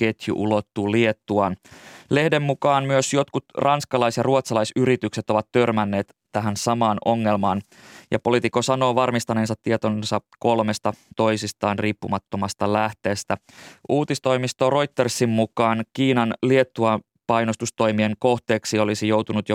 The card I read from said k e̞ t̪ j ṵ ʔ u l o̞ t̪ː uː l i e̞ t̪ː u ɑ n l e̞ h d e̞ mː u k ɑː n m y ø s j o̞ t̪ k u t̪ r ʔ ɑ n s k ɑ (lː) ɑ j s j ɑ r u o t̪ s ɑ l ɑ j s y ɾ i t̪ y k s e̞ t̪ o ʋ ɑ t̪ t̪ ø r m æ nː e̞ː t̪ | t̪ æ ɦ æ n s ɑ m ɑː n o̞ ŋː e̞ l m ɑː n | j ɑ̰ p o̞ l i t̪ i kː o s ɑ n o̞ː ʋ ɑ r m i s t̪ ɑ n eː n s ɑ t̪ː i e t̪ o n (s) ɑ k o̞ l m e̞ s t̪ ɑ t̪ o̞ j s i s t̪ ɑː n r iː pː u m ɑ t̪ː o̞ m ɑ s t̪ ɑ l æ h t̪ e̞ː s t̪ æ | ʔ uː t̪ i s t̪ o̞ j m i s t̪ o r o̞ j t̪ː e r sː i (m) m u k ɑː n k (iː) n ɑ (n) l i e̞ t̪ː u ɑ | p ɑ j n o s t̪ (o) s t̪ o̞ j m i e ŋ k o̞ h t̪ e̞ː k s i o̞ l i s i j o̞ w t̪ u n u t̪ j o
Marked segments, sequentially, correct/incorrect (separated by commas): incorrect, correct, correct, correct, correct, incorrect